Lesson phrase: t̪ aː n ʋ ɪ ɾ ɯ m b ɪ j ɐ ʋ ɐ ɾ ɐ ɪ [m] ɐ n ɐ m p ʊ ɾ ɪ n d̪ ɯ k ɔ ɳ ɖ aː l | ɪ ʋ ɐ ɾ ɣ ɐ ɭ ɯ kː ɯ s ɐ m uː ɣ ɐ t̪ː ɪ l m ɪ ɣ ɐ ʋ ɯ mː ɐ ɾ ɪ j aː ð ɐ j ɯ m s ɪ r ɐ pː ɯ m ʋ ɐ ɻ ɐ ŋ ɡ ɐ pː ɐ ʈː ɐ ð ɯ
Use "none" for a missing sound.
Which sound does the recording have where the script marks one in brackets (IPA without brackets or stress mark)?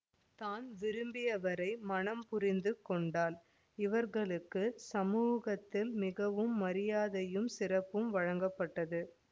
m